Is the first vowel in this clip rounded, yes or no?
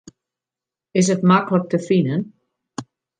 no